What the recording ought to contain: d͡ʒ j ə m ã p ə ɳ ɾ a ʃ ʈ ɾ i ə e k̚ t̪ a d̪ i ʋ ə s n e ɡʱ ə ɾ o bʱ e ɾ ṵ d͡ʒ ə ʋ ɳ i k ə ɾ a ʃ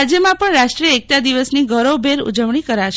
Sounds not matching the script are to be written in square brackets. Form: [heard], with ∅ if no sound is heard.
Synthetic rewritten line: d͡ʒ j ə m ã p ə ɳ ɾ a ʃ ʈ ɾ i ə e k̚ t̪ a d̪ i ʋ ə s n [i] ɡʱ ə ɾ o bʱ e ɾ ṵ d͡ʒ ə ʋ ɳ i k ə ɾ a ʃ